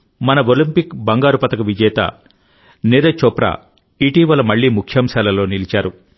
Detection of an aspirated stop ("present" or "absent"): present